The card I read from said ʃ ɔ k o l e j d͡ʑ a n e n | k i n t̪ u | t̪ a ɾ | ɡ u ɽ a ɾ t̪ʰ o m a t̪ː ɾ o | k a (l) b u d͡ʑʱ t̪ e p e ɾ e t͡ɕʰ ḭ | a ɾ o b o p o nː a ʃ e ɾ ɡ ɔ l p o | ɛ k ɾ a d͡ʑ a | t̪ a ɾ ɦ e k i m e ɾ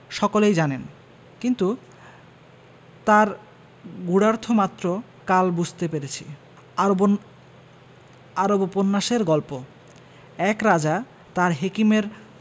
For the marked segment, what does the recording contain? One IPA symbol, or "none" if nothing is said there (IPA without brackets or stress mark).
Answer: l